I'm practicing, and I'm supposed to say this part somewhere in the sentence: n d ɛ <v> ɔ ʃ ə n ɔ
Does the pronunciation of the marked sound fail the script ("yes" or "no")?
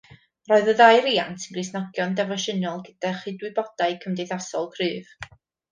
no